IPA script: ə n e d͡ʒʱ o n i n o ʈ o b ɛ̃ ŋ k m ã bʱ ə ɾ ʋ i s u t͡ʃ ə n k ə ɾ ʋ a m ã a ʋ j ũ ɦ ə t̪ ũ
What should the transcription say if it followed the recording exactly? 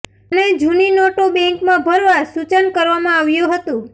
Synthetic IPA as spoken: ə n e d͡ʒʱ u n i n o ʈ o b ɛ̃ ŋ k m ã bʱ ə ɾ ʋ a s u t͡ʃ ə n k ə ɾ ʋ a m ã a ʋ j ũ ɦ ə t̪ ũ